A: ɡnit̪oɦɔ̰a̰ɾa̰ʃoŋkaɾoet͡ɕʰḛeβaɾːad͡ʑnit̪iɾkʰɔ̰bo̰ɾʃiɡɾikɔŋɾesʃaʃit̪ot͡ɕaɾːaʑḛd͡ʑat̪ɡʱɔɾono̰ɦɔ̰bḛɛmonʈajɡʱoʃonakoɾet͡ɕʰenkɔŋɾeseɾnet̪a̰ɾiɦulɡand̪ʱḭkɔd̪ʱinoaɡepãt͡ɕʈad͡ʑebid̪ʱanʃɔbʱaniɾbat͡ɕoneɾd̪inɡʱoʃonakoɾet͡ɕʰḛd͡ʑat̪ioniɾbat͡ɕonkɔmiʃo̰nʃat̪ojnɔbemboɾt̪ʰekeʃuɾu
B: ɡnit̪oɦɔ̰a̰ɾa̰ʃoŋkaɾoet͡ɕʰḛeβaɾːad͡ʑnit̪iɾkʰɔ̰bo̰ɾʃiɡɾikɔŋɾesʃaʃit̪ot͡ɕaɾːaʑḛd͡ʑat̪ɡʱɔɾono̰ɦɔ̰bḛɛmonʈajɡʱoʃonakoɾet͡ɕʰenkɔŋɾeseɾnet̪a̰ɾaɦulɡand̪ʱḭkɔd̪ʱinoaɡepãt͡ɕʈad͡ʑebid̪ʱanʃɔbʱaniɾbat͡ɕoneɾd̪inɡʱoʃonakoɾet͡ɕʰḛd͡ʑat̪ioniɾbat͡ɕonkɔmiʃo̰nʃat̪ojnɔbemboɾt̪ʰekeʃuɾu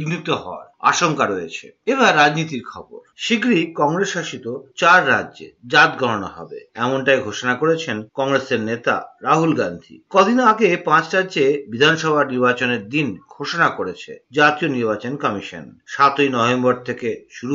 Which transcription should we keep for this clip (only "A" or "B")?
B